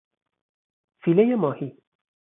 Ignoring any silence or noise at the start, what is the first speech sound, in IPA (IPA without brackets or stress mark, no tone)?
f